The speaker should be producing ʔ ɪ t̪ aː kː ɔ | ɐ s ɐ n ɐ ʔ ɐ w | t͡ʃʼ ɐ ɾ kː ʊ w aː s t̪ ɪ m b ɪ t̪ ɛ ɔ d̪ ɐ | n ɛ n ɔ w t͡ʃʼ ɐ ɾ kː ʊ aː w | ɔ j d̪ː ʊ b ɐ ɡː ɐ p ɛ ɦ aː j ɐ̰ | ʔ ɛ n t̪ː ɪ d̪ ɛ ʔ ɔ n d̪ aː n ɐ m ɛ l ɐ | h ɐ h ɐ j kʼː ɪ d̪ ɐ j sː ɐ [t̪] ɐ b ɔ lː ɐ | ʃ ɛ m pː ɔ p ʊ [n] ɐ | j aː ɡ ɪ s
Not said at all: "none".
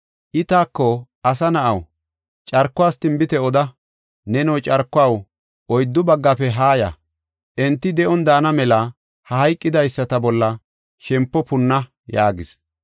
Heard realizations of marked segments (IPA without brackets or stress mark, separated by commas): t̪, nː